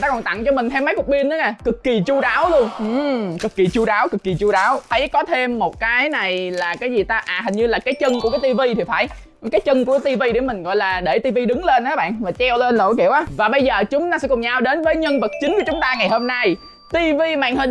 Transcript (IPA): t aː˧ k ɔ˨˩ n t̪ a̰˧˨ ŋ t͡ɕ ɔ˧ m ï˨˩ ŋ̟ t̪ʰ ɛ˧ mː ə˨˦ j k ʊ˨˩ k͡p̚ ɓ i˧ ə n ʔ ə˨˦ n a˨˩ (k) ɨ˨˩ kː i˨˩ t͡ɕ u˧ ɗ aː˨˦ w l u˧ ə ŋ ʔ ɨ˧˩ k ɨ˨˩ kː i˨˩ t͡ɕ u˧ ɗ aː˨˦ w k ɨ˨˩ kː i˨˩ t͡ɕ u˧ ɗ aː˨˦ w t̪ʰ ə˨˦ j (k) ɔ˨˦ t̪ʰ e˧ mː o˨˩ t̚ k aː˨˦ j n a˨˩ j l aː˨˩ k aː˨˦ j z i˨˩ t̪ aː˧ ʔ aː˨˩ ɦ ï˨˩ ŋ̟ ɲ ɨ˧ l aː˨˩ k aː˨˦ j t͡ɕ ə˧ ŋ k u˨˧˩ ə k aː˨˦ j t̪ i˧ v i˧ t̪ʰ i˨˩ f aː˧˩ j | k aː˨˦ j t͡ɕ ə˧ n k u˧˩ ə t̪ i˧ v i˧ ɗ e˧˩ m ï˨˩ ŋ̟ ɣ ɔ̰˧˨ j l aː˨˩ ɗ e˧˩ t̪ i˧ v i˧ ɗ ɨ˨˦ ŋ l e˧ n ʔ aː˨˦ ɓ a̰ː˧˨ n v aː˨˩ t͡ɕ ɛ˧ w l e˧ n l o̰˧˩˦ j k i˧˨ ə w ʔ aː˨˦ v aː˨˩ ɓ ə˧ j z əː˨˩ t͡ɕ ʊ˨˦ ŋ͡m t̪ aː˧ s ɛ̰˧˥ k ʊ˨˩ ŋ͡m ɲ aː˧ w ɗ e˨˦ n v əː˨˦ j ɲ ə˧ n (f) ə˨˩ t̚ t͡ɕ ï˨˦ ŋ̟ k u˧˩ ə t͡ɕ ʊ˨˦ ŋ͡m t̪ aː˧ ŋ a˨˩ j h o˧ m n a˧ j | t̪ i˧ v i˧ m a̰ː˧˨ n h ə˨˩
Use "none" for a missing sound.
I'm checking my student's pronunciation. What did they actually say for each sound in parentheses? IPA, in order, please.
k, k, v

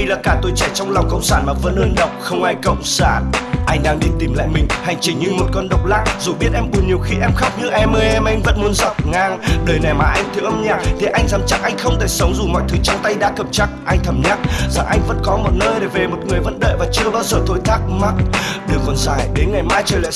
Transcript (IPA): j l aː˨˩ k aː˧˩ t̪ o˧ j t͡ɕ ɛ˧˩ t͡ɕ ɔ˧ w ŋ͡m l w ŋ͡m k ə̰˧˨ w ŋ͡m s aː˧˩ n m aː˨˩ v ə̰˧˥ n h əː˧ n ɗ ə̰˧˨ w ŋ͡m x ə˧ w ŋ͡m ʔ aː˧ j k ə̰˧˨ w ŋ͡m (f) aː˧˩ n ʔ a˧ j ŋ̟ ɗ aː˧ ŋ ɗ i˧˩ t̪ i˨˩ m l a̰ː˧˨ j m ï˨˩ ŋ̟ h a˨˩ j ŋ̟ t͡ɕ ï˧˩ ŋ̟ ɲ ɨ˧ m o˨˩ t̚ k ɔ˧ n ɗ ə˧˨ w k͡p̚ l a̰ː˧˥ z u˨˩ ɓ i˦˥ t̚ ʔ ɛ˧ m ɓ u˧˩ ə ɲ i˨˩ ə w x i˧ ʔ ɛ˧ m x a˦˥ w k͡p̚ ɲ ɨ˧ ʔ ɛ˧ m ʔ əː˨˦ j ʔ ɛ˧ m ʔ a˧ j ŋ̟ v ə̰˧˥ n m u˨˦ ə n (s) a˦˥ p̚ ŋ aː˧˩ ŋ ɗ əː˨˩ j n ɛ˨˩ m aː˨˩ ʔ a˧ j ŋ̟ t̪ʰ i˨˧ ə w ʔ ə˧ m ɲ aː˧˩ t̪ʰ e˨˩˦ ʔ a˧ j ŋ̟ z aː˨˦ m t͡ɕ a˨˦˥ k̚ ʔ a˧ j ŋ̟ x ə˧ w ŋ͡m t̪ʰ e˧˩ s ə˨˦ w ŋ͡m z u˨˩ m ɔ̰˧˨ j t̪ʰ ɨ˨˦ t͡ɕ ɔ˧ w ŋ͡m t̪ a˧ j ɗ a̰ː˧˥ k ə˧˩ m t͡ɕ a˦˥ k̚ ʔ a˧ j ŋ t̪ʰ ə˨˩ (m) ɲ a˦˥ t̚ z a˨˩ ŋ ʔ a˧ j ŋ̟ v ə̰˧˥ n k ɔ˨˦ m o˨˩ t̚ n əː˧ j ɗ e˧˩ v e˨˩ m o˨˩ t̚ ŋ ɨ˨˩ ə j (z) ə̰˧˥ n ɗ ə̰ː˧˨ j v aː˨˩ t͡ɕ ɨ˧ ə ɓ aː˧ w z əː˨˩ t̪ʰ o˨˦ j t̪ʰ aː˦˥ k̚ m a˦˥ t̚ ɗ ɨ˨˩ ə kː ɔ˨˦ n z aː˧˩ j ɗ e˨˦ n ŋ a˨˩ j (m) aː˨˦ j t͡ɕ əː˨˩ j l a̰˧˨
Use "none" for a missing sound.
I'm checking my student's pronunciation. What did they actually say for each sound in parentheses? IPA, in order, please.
s, z, m, v, m

